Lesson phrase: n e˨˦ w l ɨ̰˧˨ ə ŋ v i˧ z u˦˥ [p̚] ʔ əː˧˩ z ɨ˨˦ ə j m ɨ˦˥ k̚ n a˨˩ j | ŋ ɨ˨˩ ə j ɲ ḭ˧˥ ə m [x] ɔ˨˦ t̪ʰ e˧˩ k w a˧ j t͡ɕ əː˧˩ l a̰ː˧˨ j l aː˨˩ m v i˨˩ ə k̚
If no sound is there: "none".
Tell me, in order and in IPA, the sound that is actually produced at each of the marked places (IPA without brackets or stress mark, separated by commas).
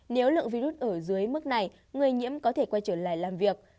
t̚, k